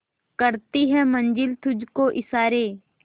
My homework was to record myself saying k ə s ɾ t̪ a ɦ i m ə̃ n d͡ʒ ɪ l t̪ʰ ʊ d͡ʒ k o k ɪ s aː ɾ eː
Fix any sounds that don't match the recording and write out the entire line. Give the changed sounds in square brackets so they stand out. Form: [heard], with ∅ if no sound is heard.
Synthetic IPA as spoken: k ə [∅] ɾ t̪ [i] ɦ [ɛ] m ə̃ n d͡ʒ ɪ l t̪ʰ ʊ d͡ʒ k o [ʔ] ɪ s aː ɾ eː